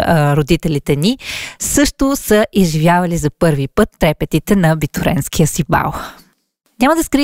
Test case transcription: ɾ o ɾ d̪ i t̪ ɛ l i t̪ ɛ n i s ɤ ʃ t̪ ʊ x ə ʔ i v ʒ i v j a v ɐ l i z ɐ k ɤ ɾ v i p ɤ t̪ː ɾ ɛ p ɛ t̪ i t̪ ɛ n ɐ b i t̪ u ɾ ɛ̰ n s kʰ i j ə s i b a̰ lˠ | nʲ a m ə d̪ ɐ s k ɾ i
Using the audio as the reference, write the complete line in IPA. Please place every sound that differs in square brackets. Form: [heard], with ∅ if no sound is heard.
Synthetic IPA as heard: ɾ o [∅] d̪ i t̪ ɛ l i t̪ ɛ n i s ɤ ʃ t̪ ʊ [s] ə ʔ i [z] ʒ i v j a v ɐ l i z ɐ [p] ɤ ɾ v i p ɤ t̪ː ɾ ɛ p ɛ t̪ i t̪ ɛ n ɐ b i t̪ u ɾ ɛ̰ n s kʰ i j ə s i b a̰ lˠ | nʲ a m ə d̪ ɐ s k ɾ i